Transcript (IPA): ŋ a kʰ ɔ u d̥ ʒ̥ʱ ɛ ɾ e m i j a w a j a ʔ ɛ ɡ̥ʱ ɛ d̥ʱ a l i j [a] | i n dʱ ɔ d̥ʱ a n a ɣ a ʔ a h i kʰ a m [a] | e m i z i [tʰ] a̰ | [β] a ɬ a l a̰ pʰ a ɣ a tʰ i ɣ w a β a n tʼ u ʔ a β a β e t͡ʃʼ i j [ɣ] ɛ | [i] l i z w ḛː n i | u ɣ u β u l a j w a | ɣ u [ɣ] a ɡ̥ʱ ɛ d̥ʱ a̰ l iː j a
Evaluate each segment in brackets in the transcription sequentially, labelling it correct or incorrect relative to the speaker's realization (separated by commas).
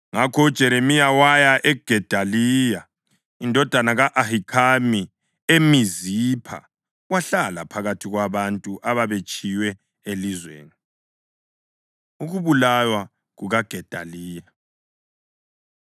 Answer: correct, incorrect, incorrect, incorrect, incorrect, incorrect, correct